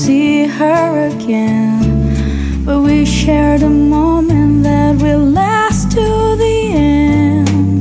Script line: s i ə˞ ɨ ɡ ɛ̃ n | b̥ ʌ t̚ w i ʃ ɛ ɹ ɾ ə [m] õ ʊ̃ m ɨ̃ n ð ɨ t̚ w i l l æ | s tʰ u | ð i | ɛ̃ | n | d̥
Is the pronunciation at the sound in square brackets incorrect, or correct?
correct